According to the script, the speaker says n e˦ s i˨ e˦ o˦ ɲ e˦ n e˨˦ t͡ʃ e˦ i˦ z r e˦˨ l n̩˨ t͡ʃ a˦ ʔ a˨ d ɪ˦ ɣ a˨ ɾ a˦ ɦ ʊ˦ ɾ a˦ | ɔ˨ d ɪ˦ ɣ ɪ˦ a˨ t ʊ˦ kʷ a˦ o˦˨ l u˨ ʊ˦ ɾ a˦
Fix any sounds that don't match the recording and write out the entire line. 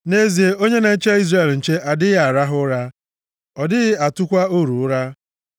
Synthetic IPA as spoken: n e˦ z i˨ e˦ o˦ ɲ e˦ n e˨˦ t͡ʃ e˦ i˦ z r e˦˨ l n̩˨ t͡ʃ e˦ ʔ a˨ d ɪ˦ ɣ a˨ ɾ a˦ ɦ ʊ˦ ɾ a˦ | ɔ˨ d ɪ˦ ɣ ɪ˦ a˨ t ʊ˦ kʷ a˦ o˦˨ ɾ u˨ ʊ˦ ɾ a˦